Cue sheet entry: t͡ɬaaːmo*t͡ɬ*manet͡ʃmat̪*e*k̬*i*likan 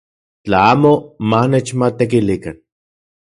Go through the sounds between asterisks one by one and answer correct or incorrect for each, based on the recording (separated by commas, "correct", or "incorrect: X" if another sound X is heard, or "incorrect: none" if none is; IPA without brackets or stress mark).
incorrect: none, correct, correct